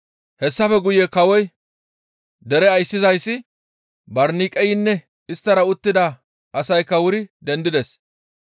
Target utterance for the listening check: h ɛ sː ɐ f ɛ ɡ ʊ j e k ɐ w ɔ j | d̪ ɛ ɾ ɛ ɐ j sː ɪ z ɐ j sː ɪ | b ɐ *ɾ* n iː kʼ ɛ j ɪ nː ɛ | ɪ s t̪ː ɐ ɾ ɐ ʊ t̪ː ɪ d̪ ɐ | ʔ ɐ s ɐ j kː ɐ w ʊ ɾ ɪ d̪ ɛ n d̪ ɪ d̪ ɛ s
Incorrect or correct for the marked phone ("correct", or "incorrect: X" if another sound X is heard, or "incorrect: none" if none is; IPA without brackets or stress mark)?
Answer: correct